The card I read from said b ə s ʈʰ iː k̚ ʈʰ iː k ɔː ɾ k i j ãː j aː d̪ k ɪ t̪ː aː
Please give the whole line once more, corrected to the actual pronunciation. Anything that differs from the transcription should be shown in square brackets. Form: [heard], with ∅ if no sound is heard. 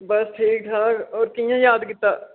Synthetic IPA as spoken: b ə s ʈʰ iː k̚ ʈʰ [aː] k ɔː ɾ k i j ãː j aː d̪ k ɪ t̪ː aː